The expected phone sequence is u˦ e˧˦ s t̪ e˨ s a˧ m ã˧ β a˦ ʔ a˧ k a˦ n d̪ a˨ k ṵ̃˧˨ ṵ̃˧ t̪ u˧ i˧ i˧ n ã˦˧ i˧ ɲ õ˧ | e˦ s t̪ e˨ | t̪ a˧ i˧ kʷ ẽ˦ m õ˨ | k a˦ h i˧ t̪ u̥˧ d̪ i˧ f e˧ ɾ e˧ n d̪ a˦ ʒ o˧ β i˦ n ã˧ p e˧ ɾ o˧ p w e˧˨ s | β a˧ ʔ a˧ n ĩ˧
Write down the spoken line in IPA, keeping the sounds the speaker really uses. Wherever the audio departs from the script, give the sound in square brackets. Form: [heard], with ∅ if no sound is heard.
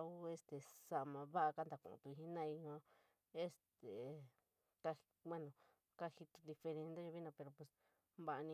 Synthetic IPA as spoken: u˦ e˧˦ s t̪ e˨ s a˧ m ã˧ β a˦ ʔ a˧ k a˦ n d̪ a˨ k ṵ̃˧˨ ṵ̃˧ t̪ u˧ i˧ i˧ n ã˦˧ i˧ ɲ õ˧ | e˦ s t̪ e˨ | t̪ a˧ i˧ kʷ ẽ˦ [n] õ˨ | k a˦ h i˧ t̪ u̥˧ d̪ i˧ f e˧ ɾ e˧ n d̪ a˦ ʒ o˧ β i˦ n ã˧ p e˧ ɾ o˧ p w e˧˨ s | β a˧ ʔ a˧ n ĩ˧

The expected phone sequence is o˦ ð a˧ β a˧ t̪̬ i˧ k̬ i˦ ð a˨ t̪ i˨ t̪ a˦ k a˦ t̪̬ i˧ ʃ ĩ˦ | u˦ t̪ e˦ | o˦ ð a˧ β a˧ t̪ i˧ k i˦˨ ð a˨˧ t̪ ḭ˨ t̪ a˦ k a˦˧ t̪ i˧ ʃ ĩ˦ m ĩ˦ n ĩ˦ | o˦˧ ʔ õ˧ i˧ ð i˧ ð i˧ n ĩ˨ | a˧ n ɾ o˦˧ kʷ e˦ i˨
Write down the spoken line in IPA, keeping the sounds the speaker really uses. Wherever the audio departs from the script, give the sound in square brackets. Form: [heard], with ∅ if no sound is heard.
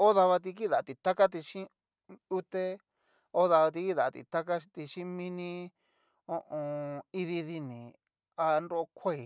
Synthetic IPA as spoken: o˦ ð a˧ β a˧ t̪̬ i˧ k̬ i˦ ð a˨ t̪ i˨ t̪ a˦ k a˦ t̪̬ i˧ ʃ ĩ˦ | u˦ t̪ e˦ | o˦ ð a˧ β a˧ t̪ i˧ k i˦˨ ð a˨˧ t̪ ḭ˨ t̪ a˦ k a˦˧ t̪ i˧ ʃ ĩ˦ m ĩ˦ n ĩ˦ | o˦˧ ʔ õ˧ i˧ ð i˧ ð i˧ n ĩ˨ | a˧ n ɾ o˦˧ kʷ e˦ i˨

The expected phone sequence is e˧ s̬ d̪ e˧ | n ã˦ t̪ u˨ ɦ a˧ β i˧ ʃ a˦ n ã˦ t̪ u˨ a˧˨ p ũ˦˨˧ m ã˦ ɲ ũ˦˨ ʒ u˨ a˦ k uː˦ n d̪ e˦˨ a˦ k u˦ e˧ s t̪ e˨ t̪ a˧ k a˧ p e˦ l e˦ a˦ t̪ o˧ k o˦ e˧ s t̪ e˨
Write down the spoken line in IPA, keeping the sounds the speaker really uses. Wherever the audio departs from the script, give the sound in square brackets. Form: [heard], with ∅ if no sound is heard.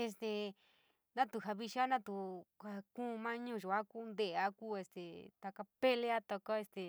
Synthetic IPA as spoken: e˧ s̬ [t̪] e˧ | n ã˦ t̪ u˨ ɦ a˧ β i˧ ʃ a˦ n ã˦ t̪ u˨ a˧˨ [k] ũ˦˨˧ m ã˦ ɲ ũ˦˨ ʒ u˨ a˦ k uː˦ n d̪ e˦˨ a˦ k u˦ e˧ s t̪ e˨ t̪ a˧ k a˧ p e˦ l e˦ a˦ t̪ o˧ k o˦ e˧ s t̪ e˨

